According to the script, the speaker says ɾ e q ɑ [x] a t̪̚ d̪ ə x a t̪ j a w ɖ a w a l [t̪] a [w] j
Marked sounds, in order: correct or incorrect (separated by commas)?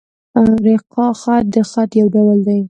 correct, incorrect, incorrect